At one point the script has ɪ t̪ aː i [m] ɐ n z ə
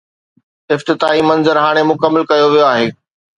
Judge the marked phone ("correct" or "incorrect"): correct